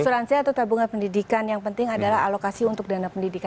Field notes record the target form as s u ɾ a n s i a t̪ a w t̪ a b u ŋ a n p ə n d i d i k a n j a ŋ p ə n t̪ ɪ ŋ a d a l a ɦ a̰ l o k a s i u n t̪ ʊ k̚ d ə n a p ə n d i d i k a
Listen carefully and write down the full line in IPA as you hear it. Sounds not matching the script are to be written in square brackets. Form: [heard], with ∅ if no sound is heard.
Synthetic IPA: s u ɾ a n s i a t̪ a w t̪ a b u ŋ a n p ə n d i d i k a n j a ŋ p ə n t̪ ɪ ŋ a d a l a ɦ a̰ l o k a s i u n t̪ ʊ k̚ d [a] n a p ə n d i d i k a